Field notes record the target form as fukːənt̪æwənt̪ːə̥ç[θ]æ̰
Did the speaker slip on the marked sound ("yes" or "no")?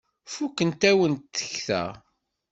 no